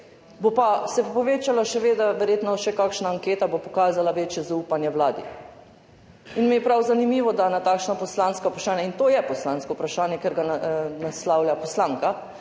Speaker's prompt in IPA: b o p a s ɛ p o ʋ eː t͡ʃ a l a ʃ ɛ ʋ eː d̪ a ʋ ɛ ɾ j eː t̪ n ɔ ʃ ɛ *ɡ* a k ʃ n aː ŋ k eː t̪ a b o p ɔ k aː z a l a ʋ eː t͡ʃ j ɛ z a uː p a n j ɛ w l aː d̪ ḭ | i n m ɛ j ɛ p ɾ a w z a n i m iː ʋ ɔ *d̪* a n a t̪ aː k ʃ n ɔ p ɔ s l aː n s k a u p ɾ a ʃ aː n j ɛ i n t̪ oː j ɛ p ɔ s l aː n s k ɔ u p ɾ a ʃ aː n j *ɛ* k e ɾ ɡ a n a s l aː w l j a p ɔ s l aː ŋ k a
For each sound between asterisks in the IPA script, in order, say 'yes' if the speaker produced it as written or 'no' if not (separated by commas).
no, yes, yes